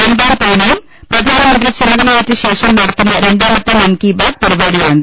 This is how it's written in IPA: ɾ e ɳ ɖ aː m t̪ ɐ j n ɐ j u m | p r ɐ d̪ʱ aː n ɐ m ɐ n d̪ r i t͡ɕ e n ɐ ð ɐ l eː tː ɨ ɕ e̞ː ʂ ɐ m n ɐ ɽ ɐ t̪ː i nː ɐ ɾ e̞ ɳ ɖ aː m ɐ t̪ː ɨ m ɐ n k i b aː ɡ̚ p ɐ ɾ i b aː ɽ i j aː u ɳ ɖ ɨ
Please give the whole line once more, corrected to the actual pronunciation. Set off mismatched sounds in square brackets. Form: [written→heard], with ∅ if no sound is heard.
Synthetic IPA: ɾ e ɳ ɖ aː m t̪ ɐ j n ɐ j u m | p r ɐ d̪ʱ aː n ɐ m ɐ n d̪ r i t͡ɕ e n ɐ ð ɐ l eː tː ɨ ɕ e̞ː ʂ ɐ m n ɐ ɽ ɐ t̪ː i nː ɐ ɾ e̞ ɳ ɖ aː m ɐ t̪ː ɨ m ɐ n k i b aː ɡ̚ p ɐ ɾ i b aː ɽ i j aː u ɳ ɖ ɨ

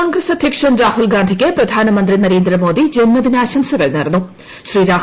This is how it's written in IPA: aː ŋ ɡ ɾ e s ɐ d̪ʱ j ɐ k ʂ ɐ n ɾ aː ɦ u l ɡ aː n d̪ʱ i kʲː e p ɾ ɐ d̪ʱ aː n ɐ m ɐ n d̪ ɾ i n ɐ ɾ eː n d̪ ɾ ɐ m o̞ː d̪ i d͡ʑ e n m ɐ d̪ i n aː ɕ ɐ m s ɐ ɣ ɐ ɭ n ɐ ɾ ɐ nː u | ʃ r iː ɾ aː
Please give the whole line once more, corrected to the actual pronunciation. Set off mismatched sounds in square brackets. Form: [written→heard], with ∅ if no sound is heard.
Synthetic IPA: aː ŋ ɡ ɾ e s ɐ d̪ʱ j ɐ k ʂ ɐ n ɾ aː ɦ u l ɡ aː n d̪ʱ i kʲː e p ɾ ɐ d̪ʱ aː n ɐ m ɐ n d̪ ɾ i n ɐ ɾ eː n d̪ ɾ ɐ m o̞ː d̪ i d͡ʑ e n m ɐ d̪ i n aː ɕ ɐ m s ɐ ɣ ɐ ɭ n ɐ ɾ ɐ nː u | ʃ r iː ɾ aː

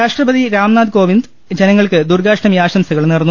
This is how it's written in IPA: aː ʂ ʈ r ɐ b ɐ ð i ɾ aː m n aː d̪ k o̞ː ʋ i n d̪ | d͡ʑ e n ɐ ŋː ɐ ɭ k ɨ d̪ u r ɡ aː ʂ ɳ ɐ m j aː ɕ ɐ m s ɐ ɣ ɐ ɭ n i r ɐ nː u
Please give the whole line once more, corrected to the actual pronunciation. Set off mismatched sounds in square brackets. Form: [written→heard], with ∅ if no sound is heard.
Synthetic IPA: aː ʂ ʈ r ɐ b ɐ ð i ɾ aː m n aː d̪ k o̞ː ʋ i n d̪ | d͡ʑ e n ɐ ŋː ɐ ɭ k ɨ d̪ u r ɡ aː ʂ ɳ ɐ m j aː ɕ ɐ m s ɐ ɣ ɐ ɭ n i r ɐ nː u

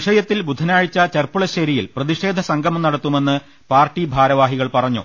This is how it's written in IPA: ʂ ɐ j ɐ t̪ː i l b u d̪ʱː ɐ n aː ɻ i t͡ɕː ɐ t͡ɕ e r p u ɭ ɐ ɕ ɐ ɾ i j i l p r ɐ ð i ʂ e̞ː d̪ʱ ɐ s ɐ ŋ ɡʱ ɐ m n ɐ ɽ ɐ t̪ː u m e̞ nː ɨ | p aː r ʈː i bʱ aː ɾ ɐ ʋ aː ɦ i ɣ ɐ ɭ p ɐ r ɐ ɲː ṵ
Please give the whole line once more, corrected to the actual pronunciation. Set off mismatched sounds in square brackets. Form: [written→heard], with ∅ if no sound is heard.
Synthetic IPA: ʂ ɐ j ɐ t̪ː i l b u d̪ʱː ɐ n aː ɻ i t͡ɕː ɐ t͡ɕ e r p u ɭ ɐ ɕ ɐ ɾ i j i l p r ɐ ð i ʂ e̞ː d̪ʱ ɐ s ɐ ŋ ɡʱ ɐ m n ɐ ɽ ɐ t̪ː u m e̞ nː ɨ | p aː r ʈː i bʱ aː ɾ ɐ ʋ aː ɦ i ɣ ɐ ɭ p ɐ r ɐ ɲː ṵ

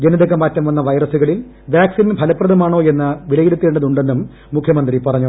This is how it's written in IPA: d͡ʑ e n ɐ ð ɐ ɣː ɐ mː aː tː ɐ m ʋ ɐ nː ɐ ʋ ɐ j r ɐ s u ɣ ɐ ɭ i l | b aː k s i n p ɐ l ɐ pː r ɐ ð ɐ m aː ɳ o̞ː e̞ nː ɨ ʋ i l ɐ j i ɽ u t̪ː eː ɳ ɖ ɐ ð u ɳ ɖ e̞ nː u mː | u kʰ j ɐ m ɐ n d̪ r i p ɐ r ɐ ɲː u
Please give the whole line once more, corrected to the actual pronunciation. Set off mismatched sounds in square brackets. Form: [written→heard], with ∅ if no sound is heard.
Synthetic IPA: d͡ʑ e n ɐ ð ɐ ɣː ɐ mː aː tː ɐ m ʋ ɐ nː ɐ ʋ ɐ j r ɐ s u ɣ ɐ ɭ i l | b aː k s i n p ɐ l ɐ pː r ɐ ð ɐ m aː ɳ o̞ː e̞ nː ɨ ʋ i l ɐ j i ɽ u t̪ː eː ɳ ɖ ɐ ð u ɳ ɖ e̞ nː u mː | u kʰ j ɐ m ɐ n d̪ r i p ɐ r ɐ ɲː u

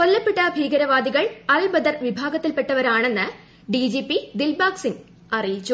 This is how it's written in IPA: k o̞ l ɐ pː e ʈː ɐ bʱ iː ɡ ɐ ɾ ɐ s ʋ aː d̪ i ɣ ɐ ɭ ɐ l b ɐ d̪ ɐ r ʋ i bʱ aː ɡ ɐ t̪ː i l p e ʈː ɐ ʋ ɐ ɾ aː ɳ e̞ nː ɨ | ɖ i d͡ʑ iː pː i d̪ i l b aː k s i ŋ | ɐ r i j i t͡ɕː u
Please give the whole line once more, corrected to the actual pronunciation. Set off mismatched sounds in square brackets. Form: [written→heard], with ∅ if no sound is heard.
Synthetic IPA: k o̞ [l→lː] ɐ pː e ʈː ɐ bʱ iː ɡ ɐ ɾ ɐ [s→∅] ʋ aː d̪ i ɣ ɐ ɭ ɐ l b ɐ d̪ ɐ r ʋ i bʱ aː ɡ ɐ t̪ː i l p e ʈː ɐ ʋ ɐ ɾ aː ɳ e̞ nː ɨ | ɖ i d͡ʑ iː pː i d̪ i l b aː k s i ŋ | ɐ r i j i t͡ɕː u

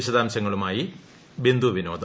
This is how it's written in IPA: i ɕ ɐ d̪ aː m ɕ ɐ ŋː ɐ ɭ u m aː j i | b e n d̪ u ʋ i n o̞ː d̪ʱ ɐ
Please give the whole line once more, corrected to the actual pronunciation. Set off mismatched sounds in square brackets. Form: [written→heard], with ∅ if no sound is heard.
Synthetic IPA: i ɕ ɐ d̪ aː m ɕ ɐ ŋː ɐ ɭ u m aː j i | b e n d̪ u ʋ i n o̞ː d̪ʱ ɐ

